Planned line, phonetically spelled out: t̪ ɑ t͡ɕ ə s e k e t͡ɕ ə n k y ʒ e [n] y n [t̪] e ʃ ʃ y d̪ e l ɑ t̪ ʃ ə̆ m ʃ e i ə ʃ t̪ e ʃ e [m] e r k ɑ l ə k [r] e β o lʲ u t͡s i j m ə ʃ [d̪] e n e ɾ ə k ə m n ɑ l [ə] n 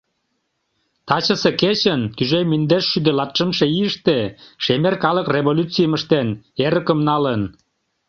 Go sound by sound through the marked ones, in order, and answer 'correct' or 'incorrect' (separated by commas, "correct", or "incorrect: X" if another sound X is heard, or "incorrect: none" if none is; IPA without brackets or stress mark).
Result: incorrect: m, incorrect: d̪, correct, correct, incorrect: t̪, correct